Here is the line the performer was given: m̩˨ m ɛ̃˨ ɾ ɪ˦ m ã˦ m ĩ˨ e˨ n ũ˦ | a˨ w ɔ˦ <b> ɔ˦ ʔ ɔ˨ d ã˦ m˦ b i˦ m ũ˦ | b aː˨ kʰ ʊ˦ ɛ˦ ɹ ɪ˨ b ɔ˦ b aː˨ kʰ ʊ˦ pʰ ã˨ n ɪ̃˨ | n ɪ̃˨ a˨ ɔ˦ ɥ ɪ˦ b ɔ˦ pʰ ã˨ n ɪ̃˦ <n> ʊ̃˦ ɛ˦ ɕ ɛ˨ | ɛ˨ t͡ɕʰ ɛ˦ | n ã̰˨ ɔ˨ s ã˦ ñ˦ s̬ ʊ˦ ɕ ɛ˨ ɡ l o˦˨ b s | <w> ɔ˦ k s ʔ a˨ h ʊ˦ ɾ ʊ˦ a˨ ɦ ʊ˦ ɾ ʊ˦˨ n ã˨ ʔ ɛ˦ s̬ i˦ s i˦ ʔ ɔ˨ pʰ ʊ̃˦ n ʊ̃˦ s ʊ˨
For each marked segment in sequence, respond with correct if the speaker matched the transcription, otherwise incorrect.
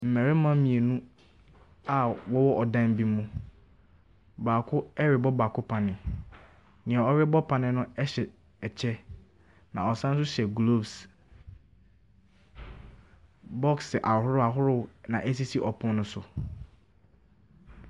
incorrect: w, correct, incorrect: b

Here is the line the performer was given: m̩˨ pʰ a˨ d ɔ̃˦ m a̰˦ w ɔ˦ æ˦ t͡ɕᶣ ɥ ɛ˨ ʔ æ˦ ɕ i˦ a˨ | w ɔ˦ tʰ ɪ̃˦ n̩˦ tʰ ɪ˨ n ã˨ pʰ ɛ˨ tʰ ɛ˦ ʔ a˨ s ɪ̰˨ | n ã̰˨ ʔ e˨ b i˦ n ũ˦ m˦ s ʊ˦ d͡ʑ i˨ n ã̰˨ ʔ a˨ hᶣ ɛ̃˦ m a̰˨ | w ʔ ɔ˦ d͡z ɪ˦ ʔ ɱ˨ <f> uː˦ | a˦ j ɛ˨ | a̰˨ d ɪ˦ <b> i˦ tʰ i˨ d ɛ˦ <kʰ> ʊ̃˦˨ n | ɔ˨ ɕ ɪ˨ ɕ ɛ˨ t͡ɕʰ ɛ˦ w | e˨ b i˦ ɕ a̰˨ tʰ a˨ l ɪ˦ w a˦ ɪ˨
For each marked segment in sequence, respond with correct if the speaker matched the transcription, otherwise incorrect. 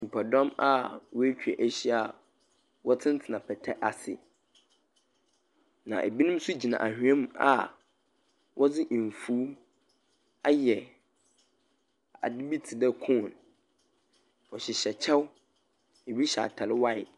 correct, correct, correct

